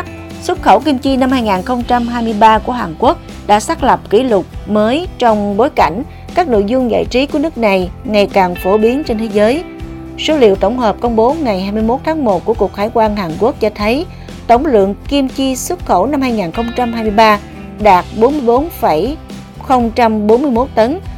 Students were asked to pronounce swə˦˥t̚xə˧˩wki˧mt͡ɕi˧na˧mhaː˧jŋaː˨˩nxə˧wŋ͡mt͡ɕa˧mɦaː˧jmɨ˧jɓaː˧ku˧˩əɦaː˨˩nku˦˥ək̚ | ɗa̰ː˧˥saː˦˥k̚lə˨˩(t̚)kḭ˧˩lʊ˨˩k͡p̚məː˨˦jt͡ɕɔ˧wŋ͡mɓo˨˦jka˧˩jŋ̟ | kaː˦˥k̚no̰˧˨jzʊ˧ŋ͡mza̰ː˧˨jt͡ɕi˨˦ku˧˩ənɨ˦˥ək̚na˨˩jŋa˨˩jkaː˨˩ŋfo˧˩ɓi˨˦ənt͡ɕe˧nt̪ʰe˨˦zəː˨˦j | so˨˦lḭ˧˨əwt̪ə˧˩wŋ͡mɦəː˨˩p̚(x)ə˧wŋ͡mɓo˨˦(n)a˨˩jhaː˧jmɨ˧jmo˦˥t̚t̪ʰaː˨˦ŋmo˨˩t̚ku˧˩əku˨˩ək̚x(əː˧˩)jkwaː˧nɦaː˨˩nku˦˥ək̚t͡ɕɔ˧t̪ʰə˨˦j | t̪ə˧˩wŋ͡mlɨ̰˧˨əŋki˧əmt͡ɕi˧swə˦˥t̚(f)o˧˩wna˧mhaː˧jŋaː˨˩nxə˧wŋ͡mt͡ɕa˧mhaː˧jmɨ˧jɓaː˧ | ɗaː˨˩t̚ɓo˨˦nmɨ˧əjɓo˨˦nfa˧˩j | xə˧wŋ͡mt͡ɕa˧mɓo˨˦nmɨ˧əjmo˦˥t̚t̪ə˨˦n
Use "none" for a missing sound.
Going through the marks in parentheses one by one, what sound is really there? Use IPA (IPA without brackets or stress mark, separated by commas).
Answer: p̚, k, ŋ, aː˧˩, x